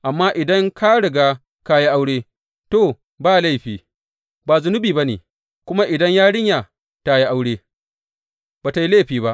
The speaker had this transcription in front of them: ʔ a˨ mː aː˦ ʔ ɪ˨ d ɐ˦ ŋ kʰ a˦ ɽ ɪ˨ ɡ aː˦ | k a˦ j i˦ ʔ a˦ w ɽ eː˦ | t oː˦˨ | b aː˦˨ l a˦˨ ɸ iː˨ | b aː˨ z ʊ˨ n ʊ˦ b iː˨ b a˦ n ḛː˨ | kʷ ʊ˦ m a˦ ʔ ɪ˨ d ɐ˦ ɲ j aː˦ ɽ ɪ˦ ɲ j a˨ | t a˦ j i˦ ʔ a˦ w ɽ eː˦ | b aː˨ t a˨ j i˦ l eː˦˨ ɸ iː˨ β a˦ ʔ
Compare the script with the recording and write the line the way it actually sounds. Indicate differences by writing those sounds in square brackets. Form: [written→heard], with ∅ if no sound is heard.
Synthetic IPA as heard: ʔ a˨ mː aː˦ ʔ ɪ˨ d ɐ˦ ŋ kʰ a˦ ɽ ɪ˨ ɡ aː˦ | k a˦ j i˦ ʔ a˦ w ɽ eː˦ | t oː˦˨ | b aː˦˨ l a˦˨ ɸ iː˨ | b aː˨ z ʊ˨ n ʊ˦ b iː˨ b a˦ n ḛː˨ | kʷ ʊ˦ m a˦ ʔ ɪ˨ d ɐ˦ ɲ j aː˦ ɽ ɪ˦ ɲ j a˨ | t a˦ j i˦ ʔ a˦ w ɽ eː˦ | b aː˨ t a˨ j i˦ l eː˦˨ ɸ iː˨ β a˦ ʔ